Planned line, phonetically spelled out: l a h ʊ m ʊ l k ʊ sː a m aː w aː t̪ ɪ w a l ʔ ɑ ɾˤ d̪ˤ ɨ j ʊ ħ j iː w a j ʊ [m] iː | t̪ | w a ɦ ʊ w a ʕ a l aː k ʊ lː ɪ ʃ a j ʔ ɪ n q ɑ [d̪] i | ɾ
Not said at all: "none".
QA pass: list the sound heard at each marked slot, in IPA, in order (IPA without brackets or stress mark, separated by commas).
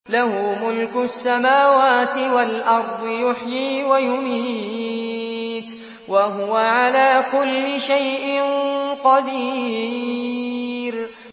m, d̪